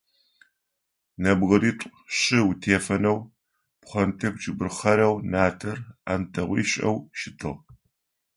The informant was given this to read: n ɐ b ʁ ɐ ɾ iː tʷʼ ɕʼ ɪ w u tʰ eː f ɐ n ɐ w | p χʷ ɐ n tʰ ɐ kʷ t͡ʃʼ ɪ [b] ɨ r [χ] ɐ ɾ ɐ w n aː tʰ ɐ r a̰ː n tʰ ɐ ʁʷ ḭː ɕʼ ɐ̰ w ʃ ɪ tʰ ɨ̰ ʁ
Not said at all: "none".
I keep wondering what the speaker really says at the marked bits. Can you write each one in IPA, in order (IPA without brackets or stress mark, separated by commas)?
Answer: b, χ